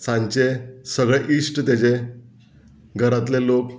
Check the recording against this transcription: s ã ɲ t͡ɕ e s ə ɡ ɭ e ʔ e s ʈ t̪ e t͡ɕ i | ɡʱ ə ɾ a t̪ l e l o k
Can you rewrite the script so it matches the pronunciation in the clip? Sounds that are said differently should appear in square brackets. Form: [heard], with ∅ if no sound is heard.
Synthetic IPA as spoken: s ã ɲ t͡ɕ e s ə ɡ ɭ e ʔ [i] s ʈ t̪ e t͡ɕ [e] | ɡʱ ə ɾ a t̪ l e l o k